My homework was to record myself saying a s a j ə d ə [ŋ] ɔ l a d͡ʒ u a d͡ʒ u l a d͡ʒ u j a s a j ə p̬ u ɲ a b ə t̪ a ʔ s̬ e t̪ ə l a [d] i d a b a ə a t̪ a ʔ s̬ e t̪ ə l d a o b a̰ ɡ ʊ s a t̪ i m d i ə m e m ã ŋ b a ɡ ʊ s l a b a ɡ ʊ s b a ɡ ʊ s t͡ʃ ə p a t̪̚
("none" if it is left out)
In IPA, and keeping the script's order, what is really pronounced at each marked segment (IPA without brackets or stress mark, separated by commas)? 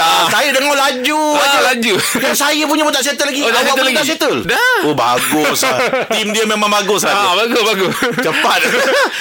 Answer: ŋ, ɡ